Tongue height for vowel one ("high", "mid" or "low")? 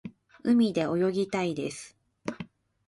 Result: high